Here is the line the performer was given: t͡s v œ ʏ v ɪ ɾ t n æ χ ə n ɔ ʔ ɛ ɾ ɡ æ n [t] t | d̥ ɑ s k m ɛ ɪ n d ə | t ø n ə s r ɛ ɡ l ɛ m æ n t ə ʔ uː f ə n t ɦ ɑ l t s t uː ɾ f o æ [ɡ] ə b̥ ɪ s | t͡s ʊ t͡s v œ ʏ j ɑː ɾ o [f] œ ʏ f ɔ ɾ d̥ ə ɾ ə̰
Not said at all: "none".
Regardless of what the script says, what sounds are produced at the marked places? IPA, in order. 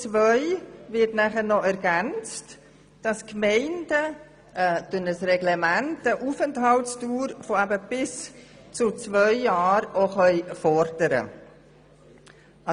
t͡s, b, χ

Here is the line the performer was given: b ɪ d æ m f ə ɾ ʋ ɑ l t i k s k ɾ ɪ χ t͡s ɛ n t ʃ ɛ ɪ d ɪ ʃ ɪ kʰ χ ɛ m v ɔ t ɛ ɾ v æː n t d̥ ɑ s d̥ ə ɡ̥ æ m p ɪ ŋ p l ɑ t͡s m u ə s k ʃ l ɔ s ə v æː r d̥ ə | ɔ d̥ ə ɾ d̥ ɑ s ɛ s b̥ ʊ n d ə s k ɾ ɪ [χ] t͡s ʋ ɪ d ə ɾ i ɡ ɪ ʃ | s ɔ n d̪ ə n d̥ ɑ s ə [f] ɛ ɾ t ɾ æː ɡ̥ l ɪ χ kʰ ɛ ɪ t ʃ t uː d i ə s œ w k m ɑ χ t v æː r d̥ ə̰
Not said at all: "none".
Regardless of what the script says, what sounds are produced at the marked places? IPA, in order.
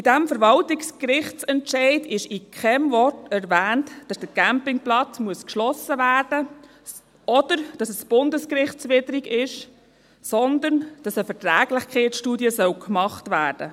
χ, f

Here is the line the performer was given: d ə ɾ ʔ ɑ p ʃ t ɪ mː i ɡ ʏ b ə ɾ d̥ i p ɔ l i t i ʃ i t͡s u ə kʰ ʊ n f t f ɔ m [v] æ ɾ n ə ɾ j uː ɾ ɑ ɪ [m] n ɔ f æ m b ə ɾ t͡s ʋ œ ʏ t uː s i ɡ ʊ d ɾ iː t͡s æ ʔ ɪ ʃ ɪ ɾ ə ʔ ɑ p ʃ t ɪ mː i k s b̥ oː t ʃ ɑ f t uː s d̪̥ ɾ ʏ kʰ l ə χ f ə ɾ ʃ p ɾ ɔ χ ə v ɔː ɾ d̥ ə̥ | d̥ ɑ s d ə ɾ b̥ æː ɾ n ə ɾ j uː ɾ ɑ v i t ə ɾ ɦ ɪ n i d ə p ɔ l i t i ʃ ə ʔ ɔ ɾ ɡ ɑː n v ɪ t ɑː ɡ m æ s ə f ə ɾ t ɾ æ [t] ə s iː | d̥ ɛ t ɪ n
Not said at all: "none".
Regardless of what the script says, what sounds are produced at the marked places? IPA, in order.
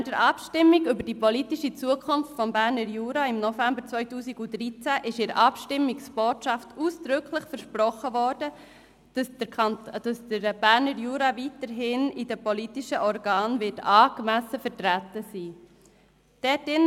b, m, t

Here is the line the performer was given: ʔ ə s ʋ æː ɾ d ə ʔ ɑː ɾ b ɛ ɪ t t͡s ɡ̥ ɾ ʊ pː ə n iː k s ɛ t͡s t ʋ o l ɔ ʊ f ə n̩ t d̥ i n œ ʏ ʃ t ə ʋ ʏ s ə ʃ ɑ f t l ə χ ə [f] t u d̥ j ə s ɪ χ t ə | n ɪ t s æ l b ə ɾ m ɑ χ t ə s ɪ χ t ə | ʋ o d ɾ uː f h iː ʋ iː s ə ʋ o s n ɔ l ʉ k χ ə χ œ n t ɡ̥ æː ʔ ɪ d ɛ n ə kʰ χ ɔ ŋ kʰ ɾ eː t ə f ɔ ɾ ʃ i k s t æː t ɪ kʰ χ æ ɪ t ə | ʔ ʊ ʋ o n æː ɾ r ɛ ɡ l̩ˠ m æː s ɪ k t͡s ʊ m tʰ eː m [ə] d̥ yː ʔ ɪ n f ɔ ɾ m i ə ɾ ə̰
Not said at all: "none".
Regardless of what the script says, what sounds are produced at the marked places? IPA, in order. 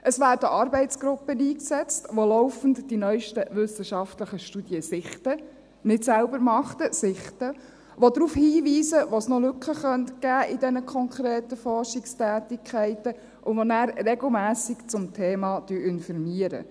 ʃ, ɑ

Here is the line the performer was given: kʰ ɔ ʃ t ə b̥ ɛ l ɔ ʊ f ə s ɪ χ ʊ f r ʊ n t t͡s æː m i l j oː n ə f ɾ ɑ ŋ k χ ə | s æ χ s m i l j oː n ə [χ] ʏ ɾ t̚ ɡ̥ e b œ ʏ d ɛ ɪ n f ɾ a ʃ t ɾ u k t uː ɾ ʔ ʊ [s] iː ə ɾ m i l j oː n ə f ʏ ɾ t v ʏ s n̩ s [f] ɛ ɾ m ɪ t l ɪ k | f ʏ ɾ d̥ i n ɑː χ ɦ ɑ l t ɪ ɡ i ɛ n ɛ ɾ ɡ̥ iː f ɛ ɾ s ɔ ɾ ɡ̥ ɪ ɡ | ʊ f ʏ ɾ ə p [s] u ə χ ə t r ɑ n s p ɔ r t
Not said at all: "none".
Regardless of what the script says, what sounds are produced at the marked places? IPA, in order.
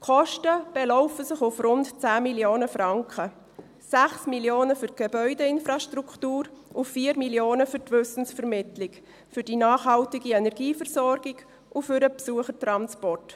f, f, f, s

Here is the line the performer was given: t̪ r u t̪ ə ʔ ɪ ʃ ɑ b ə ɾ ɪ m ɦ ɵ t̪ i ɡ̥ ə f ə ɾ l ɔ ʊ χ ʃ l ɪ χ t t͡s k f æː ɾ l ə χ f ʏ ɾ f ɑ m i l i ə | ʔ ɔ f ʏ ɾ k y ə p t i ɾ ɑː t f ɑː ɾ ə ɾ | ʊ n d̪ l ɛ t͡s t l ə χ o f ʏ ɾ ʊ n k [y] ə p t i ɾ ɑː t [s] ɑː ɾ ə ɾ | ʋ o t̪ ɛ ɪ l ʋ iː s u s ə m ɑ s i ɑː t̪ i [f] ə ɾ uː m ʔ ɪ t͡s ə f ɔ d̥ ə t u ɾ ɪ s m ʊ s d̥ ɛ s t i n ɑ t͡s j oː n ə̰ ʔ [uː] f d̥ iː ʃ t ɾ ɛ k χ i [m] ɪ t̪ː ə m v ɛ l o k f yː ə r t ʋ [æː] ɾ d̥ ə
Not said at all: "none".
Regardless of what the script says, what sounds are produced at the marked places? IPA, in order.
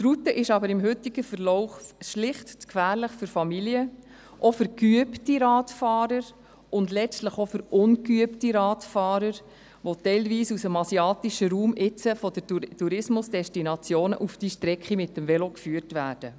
y, f, ʃ, u, m, æː

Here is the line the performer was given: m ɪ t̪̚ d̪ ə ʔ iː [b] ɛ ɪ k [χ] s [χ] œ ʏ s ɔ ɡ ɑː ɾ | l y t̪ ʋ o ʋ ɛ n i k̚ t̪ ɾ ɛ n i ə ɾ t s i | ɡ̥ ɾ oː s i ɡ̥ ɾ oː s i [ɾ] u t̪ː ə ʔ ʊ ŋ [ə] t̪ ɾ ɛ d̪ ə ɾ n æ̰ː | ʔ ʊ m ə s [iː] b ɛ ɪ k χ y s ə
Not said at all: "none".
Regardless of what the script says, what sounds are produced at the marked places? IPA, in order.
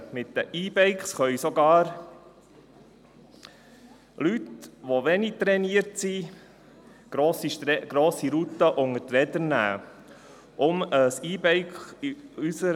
b, χ, χ, ɾ, ə, iː

